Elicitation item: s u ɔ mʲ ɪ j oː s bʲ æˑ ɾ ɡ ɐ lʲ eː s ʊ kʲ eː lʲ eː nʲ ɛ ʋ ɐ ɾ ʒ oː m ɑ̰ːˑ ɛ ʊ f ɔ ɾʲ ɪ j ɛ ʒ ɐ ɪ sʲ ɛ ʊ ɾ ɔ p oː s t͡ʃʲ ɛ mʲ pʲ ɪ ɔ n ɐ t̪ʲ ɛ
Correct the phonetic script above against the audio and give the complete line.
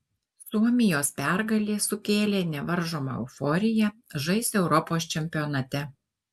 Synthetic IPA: s u ɔ mʲ ɪ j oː s pʲ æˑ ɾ ɡ ɐ lʲ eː s ʊ kʲ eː lʲ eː nʲ ɛ ʋ ɐ ɾ ʒ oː m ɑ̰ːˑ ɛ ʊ f ɔ ɾʲ ɪ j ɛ ʒ ɐ ɪ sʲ ɛ ʊ ɾ ɔ p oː s t͡ʃʲ ɛ mʲ pʲ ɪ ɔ n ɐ t̪ʲ ɛ